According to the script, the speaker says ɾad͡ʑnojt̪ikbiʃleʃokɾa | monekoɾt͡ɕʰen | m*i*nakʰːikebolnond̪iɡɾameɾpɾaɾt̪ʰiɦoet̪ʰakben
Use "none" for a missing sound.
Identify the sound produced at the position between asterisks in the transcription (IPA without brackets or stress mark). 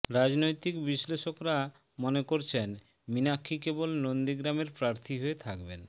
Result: i